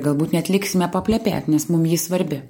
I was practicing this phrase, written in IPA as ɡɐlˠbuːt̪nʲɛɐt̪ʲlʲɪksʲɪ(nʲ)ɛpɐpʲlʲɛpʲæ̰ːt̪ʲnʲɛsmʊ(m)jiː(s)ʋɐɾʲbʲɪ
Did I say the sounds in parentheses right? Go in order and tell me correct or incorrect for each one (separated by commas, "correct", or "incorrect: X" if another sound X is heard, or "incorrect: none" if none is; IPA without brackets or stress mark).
incorrect: mʲ, correct, correct